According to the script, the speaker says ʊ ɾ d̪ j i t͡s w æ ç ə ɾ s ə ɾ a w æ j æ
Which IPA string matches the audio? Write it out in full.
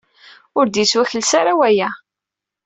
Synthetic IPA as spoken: ʊ ɾ d̪ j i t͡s w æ ç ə l s a ɾ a w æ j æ